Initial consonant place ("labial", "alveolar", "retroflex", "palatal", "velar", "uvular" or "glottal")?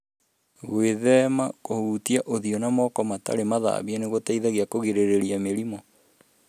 velar